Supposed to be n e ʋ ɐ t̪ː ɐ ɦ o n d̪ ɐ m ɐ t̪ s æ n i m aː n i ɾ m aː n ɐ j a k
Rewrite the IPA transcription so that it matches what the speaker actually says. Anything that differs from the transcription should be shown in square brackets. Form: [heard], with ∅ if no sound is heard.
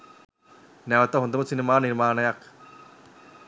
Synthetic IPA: n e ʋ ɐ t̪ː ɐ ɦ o n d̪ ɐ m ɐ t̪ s [i] n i m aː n i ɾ m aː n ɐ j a k

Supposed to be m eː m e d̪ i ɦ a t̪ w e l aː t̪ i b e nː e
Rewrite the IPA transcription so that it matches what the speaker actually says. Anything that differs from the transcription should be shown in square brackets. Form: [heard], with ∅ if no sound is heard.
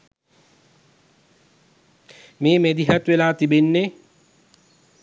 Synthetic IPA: m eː m e d̪ i ɦ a t̪ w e l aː t̪ i b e nː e

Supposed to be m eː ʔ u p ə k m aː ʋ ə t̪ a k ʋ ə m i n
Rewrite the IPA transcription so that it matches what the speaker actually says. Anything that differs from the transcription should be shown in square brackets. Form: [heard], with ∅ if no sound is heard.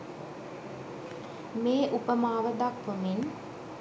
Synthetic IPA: m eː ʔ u p ə [∅] m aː ʋ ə [d̪] a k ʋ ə m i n

